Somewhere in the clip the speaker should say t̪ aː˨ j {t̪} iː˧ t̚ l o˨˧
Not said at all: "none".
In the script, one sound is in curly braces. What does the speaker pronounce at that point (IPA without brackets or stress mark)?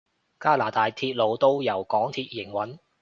t̪ʰ